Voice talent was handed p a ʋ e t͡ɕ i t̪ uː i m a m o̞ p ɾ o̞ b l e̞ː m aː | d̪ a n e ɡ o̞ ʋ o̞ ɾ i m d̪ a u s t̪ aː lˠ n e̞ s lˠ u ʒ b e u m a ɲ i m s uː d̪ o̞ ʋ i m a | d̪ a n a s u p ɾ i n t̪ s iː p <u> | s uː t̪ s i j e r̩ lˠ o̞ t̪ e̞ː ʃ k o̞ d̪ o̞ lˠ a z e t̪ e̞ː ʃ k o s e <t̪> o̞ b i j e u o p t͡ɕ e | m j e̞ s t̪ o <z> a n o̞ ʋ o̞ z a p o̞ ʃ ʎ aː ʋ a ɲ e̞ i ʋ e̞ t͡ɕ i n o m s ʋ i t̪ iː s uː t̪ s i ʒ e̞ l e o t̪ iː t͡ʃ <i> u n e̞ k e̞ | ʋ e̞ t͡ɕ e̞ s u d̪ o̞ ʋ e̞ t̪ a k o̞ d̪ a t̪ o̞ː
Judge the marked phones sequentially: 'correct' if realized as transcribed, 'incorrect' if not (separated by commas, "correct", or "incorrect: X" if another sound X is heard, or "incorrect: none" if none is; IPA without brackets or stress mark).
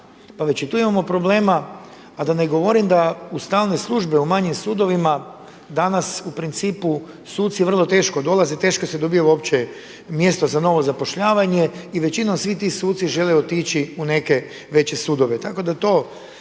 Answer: correct, incorrect: d̪, correct, correct